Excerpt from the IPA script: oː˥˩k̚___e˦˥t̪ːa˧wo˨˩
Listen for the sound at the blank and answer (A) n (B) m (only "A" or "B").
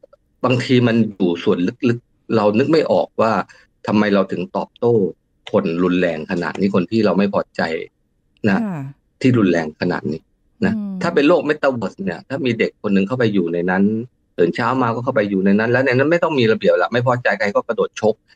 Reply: B